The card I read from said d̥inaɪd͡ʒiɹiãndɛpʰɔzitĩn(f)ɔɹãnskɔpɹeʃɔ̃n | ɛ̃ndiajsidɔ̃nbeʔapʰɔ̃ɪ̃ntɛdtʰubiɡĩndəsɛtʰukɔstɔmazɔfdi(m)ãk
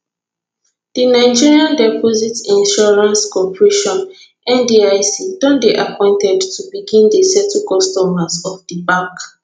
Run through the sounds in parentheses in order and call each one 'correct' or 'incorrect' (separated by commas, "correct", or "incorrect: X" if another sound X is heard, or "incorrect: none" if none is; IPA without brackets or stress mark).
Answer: incorrect: ʃ, incorrect: b